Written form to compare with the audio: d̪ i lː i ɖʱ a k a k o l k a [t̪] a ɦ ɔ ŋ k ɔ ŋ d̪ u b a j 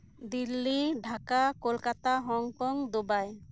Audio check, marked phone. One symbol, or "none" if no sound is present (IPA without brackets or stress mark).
t̪